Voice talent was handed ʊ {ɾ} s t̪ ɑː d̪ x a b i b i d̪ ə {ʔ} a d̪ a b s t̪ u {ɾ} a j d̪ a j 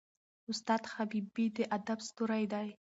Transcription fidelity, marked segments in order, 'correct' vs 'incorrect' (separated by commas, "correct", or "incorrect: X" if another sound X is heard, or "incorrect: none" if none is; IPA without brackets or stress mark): incorrect: none, correct, correct